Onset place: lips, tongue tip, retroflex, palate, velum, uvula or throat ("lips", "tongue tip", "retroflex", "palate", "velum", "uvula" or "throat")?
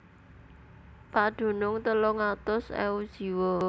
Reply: lips